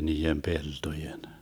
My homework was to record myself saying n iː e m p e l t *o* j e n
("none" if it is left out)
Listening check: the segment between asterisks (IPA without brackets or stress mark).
o